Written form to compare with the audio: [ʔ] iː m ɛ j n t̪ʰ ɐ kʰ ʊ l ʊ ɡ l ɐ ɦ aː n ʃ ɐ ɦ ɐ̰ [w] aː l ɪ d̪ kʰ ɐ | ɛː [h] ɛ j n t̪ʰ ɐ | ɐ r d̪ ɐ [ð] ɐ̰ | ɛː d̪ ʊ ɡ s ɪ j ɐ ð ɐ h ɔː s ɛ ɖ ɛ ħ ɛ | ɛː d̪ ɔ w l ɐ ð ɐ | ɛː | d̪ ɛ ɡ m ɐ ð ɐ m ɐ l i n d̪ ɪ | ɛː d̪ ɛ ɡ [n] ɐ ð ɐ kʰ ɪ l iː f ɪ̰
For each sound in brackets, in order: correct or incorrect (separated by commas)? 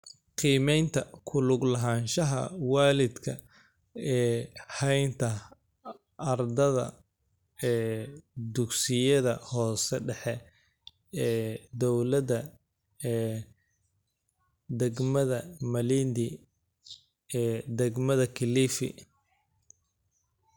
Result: incorrect, correct, correct, correct, incorrect